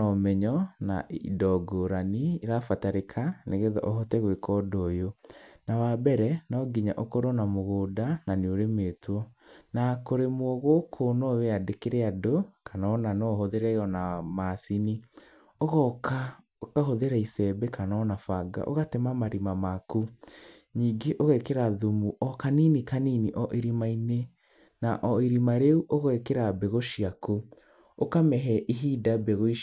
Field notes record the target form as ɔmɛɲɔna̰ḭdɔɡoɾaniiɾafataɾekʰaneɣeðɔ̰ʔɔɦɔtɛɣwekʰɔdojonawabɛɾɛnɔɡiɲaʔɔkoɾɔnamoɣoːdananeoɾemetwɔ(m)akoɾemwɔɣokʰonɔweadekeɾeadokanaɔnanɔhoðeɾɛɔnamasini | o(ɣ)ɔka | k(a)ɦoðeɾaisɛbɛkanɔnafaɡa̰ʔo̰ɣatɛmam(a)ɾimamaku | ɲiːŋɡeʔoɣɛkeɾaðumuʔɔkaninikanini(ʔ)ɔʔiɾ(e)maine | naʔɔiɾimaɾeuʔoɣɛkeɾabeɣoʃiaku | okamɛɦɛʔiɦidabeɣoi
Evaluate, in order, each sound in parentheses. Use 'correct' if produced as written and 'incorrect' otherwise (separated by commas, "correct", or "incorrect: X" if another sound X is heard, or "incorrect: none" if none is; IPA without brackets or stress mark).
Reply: incorrect: n, correct, correct, correct, correct, incorrect: i